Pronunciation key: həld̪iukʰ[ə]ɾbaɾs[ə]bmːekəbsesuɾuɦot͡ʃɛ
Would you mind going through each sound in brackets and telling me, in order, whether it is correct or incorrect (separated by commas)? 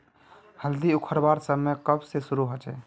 correct, correct